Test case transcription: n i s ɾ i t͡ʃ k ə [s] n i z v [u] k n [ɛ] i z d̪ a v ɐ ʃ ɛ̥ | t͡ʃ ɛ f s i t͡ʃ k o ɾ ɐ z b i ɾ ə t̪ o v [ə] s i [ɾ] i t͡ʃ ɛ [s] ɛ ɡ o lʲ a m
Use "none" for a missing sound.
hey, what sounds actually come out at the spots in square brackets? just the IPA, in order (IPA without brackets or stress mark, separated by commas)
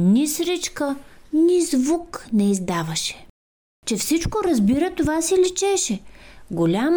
none, u, ɛ, a, l, ʃ